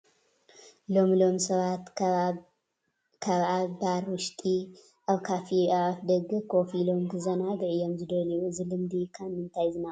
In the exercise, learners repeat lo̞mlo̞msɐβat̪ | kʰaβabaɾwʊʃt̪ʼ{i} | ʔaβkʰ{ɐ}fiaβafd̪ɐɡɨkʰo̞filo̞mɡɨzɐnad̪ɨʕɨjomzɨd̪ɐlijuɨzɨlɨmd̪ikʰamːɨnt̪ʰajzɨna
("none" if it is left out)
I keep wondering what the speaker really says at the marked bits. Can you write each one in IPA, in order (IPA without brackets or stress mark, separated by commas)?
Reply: i, a